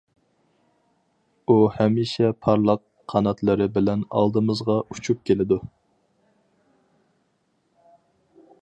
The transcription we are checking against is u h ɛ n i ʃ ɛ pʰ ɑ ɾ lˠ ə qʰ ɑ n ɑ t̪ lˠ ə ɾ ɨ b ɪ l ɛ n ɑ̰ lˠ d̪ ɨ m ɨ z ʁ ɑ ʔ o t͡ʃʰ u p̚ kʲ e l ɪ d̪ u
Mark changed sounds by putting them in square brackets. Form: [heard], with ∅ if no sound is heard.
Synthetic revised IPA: u h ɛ [m] i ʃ ɛ pʰ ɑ ɾ lˠ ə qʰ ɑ n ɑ t̪ lˠ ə ɾ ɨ b ɪ l ɛ n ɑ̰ lˠ d̪ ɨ m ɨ z ʁ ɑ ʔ [u] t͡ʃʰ u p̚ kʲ e l ɪ d̪ u